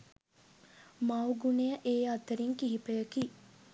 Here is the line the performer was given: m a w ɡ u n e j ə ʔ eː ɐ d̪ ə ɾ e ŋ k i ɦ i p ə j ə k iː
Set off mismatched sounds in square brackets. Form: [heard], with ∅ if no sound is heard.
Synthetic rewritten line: m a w ɡ u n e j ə ʔ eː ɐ [t̪] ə ɾ [i] ŋ k i ɦ i p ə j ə k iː